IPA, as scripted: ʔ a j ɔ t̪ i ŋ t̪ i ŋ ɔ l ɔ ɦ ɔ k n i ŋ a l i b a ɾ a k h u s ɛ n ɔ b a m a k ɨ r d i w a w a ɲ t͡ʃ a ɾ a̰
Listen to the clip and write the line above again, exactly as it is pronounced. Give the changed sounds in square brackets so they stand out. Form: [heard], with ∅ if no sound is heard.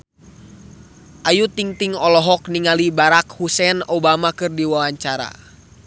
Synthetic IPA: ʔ a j [u] t̪ i ŋ t̪ i ŋ ɔ l ɔ ɦ ɔ k n i ŋ a l i b a ɾ a k h u s ɛ n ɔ b a m a k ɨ r d i w a w a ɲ t͡ʃ a ɾ a̰